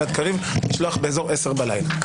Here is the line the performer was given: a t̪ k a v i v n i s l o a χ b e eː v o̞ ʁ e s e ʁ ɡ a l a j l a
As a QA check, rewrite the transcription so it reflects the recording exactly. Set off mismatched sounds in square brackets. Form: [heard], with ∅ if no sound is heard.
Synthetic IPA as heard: a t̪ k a [ʁ] i v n i [ʃ] l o a χ b e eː [z] o̞ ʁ e s e ʁ [b] a l a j l a